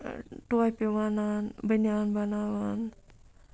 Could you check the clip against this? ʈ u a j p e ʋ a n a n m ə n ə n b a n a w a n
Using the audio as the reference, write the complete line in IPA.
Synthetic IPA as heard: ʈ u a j p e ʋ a n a n b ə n a n b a n a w a n